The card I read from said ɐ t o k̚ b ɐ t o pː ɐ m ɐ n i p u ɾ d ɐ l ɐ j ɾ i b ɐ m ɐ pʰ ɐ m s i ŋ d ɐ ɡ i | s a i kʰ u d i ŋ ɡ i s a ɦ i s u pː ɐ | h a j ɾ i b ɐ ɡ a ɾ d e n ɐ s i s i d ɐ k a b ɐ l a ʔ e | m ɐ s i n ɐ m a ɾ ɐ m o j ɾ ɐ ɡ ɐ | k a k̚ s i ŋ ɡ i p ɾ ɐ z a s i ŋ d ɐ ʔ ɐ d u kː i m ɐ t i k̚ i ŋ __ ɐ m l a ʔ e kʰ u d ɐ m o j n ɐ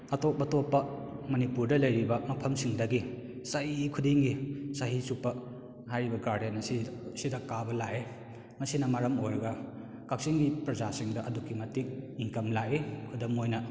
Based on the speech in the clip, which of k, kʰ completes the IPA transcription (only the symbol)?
k